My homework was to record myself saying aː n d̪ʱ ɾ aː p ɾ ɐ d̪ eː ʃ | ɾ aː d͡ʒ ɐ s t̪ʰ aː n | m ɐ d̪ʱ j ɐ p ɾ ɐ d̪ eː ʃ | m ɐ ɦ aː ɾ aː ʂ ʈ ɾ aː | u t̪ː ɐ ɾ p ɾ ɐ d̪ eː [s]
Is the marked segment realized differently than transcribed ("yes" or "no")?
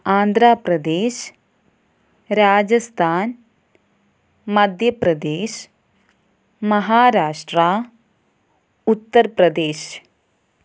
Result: yes